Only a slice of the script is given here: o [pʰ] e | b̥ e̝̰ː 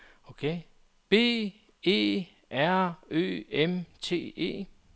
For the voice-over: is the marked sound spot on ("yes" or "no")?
no